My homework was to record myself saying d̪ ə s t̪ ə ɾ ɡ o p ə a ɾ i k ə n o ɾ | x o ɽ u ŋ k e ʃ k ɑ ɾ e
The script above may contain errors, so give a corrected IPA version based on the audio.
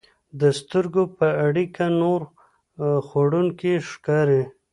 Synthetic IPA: d̪ ə s t̪ ə ɾ ɡ o p ə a ɽ i k a n o ɾ | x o ɽ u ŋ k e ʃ k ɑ ɾ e